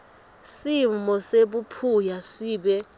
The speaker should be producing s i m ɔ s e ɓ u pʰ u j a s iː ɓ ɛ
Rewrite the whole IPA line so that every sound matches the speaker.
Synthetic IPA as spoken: s i m ɔ s e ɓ u pʰ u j a s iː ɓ ɛ